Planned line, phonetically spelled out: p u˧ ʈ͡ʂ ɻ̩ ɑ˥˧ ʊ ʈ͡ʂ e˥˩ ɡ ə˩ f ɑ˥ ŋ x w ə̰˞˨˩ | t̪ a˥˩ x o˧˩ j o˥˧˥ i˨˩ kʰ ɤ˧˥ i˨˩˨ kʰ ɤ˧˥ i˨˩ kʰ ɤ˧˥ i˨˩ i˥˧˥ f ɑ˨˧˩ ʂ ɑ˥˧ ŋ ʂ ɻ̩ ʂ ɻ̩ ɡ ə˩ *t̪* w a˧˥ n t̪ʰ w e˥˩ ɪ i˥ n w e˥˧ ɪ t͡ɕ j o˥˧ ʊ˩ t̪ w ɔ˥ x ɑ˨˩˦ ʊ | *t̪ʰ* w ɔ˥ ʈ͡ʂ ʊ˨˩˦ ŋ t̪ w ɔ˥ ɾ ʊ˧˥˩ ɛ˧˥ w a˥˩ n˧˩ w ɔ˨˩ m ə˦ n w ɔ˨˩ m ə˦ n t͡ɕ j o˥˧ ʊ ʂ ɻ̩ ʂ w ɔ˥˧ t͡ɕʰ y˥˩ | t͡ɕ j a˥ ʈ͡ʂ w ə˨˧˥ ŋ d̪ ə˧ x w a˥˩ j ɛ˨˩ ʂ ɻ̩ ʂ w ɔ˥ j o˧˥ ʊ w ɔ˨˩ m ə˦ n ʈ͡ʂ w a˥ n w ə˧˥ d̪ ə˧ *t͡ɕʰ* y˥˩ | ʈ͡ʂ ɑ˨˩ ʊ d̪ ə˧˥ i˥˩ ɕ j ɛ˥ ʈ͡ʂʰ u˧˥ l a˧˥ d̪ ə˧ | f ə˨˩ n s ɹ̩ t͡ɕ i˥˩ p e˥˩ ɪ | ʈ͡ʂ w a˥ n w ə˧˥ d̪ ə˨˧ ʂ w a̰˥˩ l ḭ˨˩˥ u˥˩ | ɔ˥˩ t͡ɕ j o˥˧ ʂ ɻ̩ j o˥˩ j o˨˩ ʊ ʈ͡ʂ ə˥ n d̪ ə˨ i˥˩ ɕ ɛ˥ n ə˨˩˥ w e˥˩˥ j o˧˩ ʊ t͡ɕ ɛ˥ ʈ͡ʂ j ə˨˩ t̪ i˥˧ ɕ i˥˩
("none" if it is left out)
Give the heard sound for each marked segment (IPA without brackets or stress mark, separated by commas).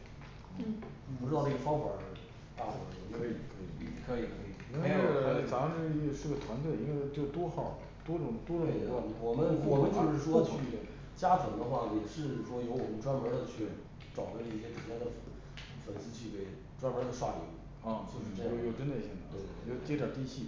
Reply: t̪ʰ, t̪, t͡ɕʰ